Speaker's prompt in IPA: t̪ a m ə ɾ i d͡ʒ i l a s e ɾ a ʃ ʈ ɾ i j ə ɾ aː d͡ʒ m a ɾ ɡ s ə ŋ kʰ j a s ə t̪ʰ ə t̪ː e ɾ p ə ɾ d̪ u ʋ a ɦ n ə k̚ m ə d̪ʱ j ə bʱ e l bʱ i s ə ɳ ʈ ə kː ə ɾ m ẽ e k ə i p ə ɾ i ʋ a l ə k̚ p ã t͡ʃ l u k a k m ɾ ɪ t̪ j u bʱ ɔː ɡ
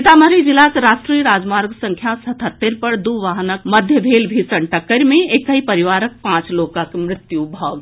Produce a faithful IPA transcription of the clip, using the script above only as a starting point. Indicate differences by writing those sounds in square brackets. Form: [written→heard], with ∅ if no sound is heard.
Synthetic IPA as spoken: t̪ a m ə ɾ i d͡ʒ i l a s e ɾ a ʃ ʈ ɾ i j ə ɾ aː d͡ʒ m a ɾ ɡ s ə ŋ kʰ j a s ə t̪ʰ ə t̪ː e ɾ p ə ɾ d̪ u ʋ a ɦ n ə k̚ m ə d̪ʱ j ə bʱ e l bʱ i s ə ɳ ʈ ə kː ə ɾ m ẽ e k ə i p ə ɾ i ʋ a [l→ɾ] ə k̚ p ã t͡ʃ l [u→o] k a k m ɾ ɪ t̪ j u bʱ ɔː ɡ

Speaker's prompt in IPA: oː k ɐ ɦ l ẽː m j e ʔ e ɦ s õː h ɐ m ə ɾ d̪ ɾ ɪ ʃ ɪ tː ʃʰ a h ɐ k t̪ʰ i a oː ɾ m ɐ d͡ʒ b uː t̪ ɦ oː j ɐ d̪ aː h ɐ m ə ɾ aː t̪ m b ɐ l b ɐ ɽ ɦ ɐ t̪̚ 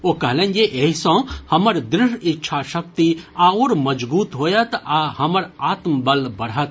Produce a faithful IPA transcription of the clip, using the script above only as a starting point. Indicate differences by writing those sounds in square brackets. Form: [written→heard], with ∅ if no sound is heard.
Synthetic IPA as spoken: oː k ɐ ɦ l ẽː [m→n] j e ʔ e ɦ s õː h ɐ m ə ɾ d̪ ɾ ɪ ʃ ɪ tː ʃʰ a [h→ʃ] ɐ k [t̪ʰ→t̪] i a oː ɾ m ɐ d͡ʒ b uː t̪ ɦ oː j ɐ [d̪→t̪] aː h ɐ m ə ɾ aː t̪ m b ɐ l b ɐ ɽ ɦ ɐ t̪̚

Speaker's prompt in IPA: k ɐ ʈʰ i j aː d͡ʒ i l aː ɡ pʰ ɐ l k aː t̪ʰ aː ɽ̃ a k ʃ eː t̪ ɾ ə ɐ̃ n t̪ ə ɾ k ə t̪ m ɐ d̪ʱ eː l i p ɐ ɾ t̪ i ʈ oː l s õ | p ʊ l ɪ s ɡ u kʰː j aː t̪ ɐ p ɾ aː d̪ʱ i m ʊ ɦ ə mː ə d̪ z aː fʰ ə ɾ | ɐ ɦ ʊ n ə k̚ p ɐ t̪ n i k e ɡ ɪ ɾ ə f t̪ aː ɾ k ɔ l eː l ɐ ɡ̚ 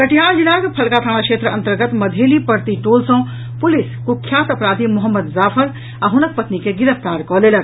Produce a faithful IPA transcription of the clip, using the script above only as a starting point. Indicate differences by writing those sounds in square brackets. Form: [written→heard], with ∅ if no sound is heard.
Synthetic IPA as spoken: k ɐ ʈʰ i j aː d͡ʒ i l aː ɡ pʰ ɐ l k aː t̪ʰ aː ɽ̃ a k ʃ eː t̪ ɾ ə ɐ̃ n t̪ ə ɾ [k→ɡ] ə t̪ m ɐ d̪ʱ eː l i p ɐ ɾ t̪ i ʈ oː l s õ | p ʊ l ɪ s [ɡ→k] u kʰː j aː t̪ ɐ p ɾ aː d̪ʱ i m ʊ ɦ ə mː ə d̪ z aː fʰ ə ɾ | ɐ ɦ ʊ n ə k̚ p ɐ t̪ n i k e ɡ ɪ ɾ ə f t̪ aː ɾ k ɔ l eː l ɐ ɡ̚

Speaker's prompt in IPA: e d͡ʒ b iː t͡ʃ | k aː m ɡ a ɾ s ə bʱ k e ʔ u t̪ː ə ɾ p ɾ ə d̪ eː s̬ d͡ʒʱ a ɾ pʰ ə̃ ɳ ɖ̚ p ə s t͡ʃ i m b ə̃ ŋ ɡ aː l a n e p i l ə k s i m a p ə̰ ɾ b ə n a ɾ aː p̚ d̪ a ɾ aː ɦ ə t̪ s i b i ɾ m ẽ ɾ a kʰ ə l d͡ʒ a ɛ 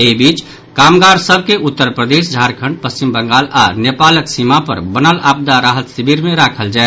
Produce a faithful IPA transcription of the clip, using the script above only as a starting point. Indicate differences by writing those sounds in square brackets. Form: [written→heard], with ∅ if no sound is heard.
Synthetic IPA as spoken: e [d͡ʒ→∅] b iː t͡ʃ | k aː m ɡ a ɾ s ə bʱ k e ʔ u t̪ː ə ɾ p ɾ ə d̪ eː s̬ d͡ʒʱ a ɾ [pʰ→kʰ] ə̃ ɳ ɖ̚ p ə s t͡ʃ i m b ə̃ ŋ ɡ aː l a n e p [i→a] l ə k s i m a p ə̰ ɾ b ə n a [ɾ→l] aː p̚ d̪ a ɾ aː ɦ ə t̪ s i b i ɾ m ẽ ɾ a kʰ ə l d͡ʒ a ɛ

